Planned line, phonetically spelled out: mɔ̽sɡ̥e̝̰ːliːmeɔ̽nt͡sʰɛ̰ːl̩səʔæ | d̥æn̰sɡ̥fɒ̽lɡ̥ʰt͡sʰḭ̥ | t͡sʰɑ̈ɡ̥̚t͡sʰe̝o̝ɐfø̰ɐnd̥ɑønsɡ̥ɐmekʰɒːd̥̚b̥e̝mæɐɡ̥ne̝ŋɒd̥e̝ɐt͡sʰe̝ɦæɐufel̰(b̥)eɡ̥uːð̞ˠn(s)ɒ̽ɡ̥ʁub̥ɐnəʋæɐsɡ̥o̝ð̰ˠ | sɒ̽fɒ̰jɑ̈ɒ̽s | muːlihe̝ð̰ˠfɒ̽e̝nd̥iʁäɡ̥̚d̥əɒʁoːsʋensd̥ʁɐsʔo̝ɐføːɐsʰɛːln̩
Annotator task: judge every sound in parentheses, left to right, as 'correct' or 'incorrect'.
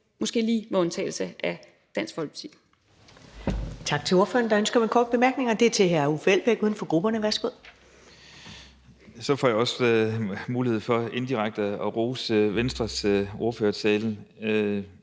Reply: correct, incorrect: f

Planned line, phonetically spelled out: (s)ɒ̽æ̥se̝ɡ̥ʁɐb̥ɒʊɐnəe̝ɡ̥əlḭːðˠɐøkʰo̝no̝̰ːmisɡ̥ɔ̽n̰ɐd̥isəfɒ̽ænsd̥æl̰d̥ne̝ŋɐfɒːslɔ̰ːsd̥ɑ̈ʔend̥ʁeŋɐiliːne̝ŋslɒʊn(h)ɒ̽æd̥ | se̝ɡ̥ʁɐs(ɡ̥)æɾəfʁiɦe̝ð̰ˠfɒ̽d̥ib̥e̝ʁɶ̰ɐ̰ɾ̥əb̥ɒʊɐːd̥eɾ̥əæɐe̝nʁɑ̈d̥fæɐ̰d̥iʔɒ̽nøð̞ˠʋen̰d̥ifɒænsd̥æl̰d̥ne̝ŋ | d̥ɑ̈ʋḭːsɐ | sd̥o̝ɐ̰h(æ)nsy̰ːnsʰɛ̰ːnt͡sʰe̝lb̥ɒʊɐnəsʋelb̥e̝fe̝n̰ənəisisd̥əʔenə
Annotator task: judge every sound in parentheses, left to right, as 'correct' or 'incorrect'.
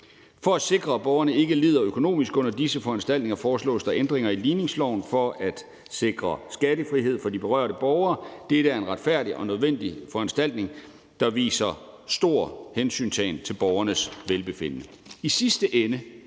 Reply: incorrect: f, incorrect: f, correct, incorrect: e

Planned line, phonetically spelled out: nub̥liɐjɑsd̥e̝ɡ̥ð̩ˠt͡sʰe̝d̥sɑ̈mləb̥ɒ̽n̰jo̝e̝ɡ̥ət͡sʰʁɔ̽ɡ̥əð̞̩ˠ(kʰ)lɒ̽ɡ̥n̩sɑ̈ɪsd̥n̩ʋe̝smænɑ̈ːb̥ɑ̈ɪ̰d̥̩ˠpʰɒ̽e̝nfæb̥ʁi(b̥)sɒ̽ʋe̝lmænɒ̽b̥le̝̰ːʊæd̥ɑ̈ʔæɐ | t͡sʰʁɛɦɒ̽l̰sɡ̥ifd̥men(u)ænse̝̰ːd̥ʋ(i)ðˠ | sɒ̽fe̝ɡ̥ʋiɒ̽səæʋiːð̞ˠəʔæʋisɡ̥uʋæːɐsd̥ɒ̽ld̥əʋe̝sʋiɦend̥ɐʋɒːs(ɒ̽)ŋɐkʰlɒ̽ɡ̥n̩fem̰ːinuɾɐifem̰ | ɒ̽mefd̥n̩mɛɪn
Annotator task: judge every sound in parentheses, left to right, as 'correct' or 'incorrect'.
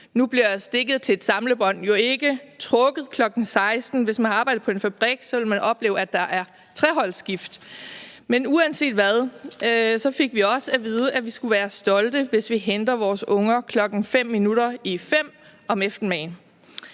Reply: correct, incorrect: ɡ̥, correct, incorrect: æ, incorrect: ɔ̽

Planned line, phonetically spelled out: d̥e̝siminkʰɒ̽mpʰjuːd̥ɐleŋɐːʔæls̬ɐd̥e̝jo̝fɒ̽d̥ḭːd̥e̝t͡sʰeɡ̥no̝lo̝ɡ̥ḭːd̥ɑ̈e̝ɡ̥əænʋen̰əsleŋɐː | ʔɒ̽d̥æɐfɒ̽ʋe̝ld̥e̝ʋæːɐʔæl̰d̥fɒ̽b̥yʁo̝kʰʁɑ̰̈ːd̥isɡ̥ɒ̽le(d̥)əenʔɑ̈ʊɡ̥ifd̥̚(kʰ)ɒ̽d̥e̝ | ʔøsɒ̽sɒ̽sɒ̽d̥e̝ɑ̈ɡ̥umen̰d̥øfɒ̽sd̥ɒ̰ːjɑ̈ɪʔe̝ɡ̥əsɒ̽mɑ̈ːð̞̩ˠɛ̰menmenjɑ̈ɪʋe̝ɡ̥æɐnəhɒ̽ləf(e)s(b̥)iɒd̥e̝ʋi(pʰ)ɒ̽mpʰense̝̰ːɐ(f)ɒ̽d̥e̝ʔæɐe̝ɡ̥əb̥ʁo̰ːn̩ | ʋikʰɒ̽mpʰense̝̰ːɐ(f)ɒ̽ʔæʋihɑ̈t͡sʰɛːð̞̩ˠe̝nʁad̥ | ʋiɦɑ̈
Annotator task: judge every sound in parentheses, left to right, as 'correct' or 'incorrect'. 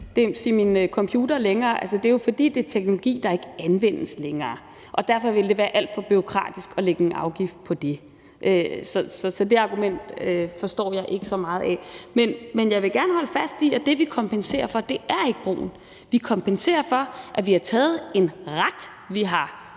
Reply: incorrect: ɡ̥, incorrect: pʰ, incorrect: æ, incorrect: d̥, incorrect: kʰ, correct, correct

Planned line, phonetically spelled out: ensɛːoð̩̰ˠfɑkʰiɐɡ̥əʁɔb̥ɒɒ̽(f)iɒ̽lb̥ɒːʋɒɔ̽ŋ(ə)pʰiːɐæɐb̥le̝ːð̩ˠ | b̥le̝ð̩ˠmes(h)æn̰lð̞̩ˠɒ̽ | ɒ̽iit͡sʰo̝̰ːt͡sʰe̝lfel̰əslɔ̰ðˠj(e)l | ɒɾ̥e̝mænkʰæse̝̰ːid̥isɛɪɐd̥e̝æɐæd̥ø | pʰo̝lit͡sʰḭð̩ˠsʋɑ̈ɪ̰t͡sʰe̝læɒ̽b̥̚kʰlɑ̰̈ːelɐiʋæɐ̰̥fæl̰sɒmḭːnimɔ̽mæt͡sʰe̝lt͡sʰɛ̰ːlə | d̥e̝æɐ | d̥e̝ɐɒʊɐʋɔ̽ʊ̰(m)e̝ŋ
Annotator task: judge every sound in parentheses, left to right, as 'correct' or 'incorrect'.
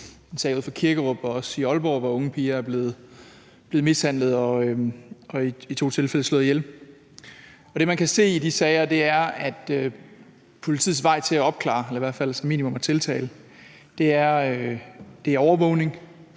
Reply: incorrect: s, correct, correct, correct, incorrect: n

